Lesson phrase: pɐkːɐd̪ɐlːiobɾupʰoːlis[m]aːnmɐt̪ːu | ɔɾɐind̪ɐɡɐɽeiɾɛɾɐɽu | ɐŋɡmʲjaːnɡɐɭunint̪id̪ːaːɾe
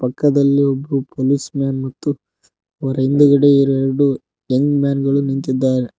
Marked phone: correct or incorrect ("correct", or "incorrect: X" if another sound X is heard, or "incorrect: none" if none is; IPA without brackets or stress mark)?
correct